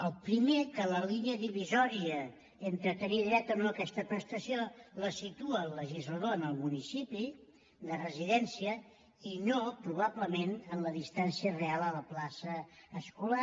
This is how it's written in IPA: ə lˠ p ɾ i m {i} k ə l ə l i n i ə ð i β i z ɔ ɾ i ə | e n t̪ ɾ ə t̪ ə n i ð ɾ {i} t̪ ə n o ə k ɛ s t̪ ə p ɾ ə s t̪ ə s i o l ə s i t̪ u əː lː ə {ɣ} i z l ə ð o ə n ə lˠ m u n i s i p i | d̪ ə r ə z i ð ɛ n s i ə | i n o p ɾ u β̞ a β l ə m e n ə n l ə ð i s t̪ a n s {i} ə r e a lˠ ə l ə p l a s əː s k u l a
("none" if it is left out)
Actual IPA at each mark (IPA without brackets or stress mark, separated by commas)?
e, ɛ, ʒ, i